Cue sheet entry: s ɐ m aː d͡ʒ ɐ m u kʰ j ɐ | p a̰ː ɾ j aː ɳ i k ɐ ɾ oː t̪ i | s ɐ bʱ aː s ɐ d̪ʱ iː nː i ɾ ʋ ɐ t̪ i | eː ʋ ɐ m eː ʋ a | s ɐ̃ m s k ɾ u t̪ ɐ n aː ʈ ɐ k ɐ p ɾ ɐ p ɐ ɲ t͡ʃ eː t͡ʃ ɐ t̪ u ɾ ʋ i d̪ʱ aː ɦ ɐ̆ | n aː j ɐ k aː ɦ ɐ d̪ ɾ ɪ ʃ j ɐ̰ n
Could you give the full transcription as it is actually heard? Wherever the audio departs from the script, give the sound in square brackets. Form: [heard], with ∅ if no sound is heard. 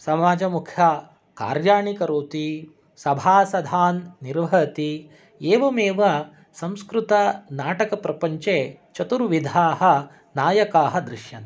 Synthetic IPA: s ɐ m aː d͡ʒ ɐ m u kʰ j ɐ | [k] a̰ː ɾ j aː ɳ i k ɐ ɾ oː t̪ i | s ɐ bʱ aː s ɐ d̪ʱ [aː] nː i ɾ ʋ ɐ t̪ i | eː ʋ ɐ m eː ʋ [ɐ] | s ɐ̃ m s k ɾ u t̪ ɐ n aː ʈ ɐ k ɐ p ɾ ɐ p ɐ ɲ t͡ʃ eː t͡ʃ ɐ t̪ u ɾ ʋ i d̪ʱ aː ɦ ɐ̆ | n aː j ɐ k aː ɦ ɐ d̪ ɾ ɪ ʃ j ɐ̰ n